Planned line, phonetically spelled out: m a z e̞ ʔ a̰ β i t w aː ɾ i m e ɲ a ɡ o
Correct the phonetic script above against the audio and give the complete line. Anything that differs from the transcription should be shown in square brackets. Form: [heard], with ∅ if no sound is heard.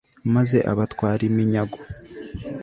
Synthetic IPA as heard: m a z e̞ ʔ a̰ β [a] t w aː ɾ i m [i] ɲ a ɡ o